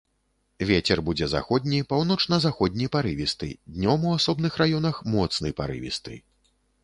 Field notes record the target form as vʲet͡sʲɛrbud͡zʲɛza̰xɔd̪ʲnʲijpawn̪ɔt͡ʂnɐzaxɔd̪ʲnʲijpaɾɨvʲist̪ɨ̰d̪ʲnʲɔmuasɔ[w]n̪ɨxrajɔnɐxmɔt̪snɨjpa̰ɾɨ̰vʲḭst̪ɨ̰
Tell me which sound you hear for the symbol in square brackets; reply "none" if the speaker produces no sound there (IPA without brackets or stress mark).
b